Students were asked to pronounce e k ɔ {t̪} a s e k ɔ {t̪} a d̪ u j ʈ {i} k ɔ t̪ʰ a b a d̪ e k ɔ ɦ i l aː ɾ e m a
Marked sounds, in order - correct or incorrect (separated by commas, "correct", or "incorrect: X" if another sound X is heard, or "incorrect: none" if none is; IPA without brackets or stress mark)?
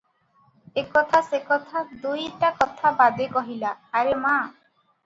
incorrect: t̪ʰ, incorrect: t̪ʰ, incorrect: a